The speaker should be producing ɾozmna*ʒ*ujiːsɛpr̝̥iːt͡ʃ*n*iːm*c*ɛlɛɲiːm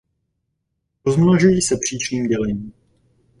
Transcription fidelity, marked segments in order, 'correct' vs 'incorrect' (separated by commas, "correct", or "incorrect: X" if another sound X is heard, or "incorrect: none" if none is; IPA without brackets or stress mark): correct, correct, incorrect: ɟ